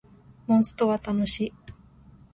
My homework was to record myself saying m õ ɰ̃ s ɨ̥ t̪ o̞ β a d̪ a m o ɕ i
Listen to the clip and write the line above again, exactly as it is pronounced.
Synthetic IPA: m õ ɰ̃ s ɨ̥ t̪ o̞ β a t̪ a n o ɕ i

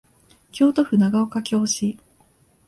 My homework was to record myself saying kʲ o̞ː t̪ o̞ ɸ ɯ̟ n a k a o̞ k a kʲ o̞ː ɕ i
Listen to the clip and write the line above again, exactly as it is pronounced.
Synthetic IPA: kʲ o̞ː t̪ o̞ ɸ ɯ̟ n a ɡ a o̞ k a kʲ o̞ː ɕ i

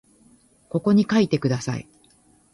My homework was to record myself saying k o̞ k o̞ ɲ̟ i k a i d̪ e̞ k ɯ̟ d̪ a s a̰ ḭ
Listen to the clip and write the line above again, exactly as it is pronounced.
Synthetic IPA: k o̞ k o̞ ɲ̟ i k a i t̪ e̞ k ɯ̟ d̪ a s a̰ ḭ

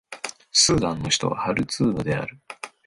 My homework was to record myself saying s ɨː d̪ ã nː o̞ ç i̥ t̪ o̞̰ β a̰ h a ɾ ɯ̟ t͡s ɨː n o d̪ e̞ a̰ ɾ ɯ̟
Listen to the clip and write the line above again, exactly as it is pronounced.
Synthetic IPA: s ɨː d̪ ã nː o̞ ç i̥ t̪ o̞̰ β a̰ h a ɾ ɯ̟ t͡s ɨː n o d̪ e̞ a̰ ɾ ɯ̟

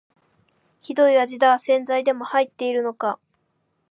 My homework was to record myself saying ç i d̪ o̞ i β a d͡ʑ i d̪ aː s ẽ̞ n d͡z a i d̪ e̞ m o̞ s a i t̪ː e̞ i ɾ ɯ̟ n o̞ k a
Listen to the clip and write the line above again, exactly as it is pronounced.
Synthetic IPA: ç i d̪ o̞ i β a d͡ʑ i d̪ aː s ẽ̞ n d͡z a i d̪ e̞ m o̞ h a i t̪ː e̞ i ɾ ɯ̟ n o̞ k a

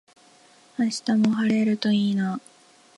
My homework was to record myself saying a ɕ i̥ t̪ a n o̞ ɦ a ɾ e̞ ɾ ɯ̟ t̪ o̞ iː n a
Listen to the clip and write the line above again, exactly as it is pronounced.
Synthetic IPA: a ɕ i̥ t̪ a m o̞ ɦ a ɾ e̞ ɾ ɯ̟ t̪ o̞ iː n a

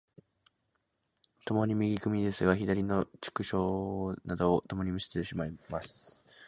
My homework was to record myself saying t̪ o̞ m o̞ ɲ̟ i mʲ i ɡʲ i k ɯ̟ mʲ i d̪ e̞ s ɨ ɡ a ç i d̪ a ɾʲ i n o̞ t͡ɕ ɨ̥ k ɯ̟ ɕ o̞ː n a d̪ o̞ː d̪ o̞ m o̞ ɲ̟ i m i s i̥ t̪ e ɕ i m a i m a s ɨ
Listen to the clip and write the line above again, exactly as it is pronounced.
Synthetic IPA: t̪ o̞ m o̞ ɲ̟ i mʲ i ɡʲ i k ɯ̟ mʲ i d̪ e̞ s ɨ ɡ a ç i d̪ a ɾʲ i n o̞ t͡ɕ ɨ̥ k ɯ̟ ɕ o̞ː n a d̪ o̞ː t̪ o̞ m o̞ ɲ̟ i m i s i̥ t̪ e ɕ i m a i m a s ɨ

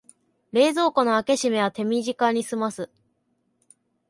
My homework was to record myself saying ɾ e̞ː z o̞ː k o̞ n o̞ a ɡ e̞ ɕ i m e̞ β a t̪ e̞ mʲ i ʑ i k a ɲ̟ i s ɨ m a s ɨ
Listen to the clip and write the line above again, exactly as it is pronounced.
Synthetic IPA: ɾ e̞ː z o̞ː k o̞ n o̞ a k e̞ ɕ i m e̞ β a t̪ e̞ mʲ i ʑ i k a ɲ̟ i s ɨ m a s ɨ

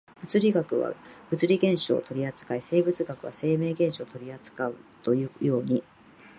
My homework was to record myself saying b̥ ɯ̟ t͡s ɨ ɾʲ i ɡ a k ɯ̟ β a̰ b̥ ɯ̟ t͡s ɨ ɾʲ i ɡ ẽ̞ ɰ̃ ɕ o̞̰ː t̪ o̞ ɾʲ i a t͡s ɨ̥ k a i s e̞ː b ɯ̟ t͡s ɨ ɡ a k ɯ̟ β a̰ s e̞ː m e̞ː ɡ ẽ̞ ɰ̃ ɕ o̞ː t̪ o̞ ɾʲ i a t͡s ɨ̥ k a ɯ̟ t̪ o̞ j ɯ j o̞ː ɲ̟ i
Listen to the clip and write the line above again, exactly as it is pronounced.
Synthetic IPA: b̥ ɯ̟ t͡s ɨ ɾʲ i ɡ a k ɯ̟ β a̰ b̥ ɯ̟ t͡s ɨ ɾʲ i ɡ ẽ̞ ɰ̃ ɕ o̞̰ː t̪ o̞ ɾʲ i a t͡s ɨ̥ k a i s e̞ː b ɯ̟ t͡s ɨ ɡ a k ɯ̟ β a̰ s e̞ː m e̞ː ɡ ẽ̞ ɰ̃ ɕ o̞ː t̪ o̞ ɾʲ i a t͡s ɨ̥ k a ɯ̟ t̪ o̞ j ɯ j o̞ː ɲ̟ i

